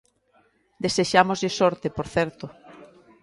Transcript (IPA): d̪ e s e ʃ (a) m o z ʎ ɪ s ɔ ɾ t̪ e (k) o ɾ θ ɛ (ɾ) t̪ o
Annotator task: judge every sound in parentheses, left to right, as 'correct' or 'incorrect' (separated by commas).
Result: correct, incorrect, correct